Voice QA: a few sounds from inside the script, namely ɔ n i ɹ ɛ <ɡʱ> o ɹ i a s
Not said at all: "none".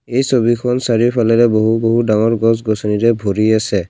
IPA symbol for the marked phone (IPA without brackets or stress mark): bʱ